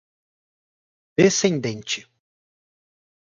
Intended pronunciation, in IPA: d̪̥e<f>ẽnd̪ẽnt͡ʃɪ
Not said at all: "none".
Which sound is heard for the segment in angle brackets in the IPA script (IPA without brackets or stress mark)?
s